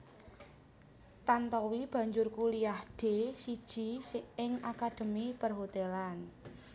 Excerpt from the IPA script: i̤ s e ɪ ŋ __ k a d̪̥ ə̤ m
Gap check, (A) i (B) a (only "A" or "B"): B